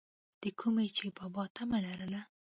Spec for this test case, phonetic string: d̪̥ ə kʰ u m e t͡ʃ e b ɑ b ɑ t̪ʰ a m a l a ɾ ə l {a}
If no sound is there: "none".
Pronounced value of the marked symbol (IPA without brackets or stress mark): a